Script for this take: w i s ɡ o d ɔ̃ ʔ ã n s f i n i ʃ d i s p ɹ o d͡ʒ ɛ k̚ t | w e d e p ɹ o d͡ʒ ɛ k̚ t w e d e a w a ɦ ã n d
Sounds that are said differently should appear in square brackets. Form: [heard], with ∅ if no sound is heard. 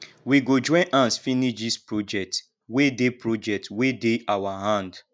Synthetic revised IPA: w i [∅] ɡ o [d͡ʒ] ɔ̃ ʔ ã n s f i n i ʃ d i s p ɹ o d͡ʒ ɛ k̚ t | w e d e p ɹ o d͡ʒ ɛ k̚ t w e d e a w a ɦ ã n d